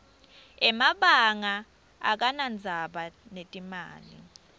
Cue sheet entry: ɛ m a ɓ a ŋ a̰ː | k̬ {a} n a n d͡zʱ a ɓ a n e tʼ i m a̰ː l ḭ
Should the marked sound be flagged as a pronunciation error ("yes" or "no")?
no